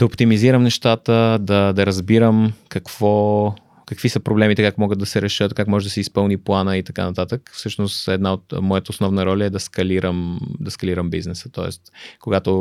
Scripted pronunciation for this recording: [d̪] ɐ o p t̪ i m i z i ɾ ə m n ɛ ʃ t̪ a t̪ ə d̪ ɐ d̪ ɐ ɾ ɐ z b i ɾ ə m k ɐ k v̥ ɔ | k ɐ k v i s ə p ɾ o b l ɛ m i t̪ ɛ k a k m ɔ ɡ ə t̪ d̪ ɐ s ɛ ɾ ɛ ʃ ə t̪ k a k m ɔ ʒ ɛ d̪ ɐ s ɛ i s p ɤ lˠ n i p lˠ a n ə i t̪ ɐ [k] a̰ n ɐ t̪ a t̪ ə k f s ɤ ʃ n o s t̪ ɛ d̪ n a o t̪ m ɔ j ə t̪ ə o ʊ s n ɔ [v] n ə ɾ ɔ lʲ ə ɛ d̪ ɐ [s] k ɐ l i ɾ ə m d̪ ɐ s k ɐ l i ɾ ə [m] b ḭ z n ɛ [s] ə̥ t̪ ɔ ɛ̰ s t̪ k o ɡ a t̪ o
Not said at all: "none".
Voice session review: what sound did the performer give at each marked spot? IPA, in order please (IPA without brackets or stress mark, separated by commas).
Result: d̪, k, v, s, m, s